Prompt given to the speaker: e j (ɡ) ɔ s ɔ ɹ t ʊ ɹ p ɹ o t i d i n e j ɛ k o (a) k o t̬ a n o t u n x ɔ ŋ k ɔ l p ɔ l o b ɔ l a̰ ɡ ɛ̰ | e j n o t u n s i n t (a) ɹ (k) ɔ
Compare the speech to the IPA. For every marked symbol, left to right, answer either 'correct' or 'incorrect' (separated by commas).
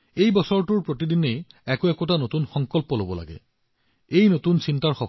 incorrect, incorrect, correct, incorrect